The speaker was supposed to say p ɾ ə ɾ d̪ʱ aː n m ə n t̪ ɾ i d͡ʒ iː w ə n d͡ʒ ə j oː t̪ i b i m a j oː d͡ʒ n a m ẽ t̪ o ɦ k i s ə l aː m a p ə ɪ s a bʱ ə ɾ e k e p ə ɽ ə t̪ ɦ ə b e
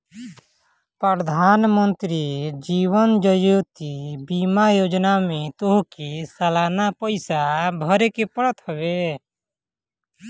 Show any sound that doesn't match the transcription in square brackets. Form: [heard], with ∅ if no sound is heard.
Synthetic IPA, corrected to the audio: p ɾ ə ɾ d̪ʱ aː n m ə n t̪ ɾ i d͡ʒ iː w ə n d͡ʒ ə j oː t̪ i b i m a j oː d͡ʒ n a m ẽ t̪ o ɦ k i s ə l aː [n] a p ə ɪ s a bʱ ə ɾ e k e p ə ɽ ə t̪ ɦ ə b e